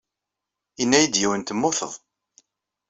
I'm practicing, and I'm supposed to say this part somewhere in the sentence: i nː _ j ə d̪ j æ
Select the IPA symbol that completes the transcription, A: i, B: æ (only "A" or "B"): B